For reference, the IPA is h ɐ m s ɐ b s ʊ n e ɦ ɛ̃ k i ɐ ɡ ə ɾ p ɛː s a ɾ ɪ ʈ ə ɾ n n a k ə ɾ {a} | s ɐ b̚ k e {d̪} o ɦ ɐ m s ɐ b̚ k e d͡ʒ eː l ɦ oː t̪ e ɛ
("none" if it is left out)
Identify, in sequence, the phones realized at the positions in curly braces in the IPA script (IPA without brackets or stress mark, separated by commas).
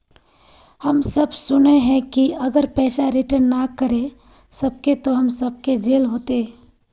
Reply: e, t̪